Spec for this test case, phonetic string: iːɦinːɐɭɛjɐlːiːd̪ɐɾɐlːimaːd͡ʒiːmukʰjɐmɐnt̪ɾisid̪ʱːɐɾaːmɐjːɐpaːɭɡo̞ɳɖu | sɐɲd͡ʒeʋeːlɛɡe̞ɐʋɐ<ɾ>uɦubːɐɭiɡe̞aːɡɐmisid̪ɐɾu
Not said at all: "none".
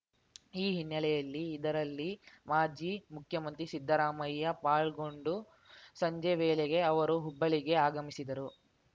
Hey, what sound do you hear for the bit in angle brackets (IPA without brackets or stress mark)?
ɾ